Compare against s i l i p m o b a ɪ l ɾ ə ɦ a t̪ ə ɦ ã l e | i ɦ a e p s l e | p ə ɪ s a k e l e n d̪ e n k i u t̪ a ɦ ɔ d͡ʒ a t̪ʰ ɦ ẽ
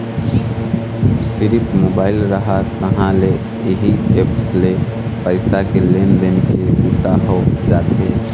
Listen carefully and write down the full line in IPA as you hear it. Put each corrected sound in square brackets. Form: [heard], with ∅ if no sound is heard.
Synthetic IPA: s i [ɾ] i p m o b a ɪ l ɾ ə ɦ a t̪ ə ɦ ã l e | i ɦ [i] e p s l e | p ə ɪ s a k e l e n d̪ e n k [e] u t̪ a ɦ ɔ d͡ʒ a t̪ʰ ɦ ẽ